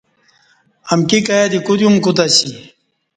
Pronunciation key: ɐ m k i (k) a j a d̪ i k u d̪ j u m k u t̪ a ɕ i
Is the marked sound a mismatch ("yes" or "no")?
no